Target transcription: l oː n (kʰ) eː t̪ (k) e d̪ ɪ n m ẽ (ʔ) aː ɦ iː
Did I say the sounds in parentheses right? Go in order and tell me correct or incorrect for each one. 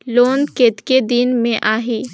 incorrect: k, correct, correct

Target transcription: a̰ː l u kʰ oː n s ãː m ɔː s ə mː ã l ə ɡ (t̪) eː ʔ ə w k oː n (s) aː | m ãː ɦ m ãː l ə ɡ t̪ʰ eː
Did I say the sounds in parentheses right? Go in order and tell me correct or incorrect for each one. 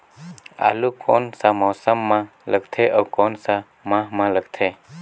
incorrect: t̪ʰ, correct

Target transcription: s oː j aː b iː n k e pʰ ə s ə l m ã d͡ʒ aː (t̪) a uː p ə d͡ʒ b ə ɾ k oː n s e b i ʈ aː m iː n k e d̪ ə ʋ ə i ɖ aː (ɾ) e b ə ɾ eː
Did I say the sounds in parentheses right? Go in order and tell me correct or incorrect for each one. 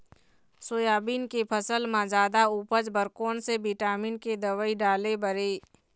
incorrect: d̪, incorrect: l

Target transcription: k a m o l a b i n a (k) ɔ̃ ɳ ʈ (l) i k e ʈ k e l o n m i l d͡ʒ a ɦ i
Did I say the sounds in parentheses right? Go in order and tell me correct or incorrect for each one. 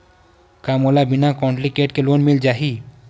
correct, correct

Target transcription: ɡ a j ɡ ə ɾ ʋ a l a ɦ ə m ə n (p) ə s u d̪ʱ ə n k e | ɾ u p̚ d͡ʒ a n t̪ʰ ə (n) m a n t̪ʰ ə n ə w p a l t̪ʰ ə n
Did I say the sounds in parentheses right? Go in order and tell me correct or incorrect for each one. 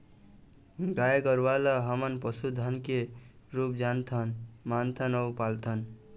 correct, correct

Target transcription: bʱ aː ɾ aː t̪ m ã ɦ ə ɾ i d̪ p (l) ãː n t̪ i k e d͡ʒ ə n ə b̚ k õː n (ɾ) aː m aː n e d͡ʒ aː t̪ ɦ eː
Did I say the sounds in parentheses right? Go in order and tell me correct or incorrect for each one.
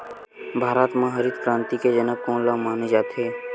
incorrect: ɾ, incorrect: l

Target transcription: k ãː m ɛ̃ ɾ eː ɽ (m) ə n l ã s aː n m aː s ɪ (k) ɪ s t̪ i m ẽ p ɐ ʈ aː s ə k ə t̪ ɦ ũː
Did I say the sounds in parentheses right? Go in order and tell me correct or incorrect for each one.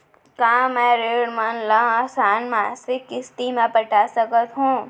correct, correct

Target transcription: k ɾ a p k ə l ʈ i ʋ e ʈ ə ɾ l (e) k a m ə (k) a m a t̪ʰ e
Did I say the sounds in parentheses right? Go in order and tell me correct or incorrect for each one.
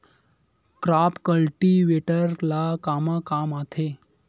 incorrect: a, correct

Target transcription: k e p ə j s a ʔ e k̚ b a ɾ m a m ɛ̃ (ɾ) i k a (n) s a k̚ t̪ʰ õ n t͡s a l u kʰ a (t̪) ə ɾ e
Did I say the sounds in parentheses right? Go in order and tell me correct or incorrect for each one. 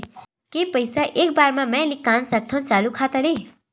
incorrect: l, correct, correct

